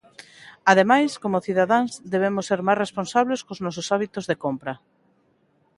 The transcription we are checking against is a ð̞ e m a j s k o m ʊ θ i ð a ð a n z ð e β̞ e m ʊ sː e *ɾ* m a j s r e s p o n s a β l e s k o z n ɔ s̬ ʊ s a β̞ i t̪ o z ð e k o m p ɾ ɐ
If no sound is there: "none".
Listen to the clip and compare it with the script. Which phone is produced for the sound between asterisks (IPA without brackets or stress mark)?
ɾ